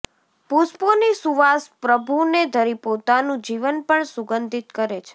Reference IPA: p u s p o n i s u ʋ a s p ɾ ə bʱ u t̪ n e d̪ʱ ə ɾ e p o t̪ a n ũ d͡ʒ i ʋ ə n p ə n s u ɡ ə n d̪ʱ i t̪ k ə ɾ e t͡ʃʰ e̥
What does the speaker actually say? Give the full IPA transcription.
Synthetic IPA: p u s p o n i s u ʋ a s p ɾ ə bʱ u n e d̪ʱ ə ɾ i p o t̪ a n ũ d͡ʒ i ʋ ə n p ə ɳ s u ɡ ə n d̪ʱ i t̪ k ə ɾ e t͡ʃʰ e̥